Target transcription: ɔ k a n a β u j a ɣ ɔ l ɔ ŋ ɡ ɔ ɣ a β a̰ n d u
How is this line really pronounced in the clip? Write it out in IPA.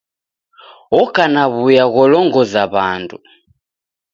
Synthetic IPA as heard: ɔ k a n a β u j a ɣ ɔ l ɔ ŋ ɡ ɔ z a β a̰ n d u